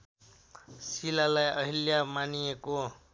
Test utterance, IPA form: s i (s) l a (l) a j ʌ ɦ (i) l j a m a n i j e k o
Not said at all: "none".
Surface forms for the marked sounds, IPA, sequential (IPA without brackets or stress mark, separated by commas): none, l, i